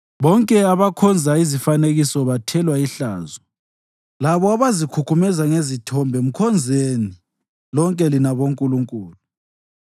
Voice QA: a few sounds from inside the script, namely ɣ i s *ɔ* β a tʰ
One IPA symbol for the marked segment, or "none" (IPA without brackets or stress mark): ɔ